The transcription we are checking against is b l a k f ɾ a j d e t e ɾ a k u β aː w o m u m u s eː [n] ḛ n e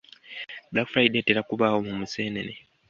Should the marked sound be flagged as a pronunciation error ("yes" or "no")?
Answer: no